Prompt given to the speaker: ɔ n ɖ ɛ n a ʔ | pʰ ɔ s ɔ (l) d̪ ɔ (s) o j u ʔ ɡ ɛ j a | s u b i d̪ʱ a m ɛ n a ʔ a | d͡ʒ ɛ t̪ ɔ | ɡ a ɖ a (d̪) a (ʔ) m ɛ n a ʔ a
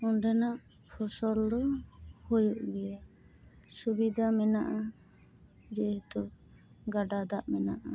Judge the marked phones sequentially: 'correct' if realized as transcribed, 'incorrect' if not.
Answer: correct, incorrect: h, correct, correct

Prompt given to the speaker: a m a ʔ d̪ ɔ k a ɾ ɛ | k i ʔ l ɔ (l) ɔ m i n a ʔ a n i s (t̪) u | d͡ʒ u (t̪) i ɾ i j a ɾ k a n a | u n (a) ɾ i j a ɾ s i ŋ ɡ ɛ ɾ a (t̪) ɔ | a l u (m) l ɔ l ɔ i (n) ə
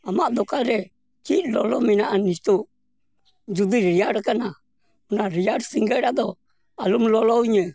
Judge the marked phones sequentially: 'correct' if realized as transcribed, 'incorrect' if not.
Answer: correct, correct, incorrect: d̪, correct, incorrect: d̪, correct, incorrect: ɲ

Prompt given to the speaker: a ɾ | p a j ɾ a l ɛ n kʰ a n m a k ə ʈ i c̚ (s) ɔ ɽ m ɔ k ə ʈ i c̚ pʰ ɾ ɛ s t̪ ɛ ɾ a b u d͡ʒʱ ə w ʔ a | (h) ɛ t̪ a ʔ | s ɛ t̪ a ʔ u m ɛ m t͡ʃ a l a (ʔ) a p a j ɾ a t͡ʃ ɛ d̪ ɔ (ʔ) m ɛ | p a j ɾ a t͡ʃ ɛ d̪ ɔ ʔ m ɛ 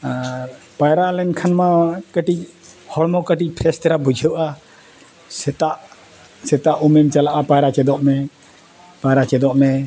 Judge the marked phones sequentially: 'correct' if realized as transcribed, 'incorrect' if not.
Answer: incorrect: h, incorrect: s, correct, correct

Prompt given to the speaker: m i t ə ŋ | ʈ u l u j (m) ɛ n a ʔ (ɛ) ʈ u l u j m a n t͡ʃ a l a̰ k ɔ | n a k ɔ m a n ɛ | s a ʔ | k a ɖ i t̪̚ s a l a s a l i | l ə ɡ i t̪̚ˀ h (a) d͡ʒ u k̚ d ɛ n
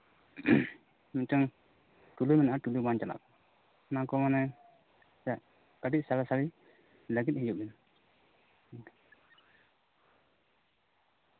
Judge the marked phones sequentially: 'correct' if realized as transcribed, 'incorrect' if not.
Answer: correct, incorrect: a, incorrect: i

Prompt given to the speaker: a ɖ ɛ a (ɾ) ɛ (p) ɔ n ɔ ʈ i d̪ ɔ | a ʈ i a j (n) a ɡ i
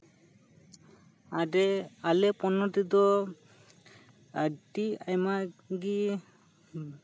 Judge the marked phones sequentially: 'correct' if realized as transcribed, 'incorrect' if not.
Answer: incorrect: l, correct, incorrect: m

